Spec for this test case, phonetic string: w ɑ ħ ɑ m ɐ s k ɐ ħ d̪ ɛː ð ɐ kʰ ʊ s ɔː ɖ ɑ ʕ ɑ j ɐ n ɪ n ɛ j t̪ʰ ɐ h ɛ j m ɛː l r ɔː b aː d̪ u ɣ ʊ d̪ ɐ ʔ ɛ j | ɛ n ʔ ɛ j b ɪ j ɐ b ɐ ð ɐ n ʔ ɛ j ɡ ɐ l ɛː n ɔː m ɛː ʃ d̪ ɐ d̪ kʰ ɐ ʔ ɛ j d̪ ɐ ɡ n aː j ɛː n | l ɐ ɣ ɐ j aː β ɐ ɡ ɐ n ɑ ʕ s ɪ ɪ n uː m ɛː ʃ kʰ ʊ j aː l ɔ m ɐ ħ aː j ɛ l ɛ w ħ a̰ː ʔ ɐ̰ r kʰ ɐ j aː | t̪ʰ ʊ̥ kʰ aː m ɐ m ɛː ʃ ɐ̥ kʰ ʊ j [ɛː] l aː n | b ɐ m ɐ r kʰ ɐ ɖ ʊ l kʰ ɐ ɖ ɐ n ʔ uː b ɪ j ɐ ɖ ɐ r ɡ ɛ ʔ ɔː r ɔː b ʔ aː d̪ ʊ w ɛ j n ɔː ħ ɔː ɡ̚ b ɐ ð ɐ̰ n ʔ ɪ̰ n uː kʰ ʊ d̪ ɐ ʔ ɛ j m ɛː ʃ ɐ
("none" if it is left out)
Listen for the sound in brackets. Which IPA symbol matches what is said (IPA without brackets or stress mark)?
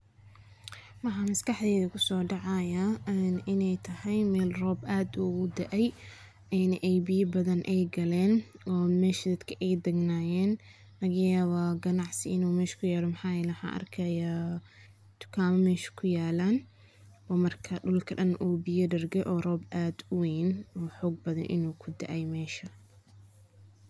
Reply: aː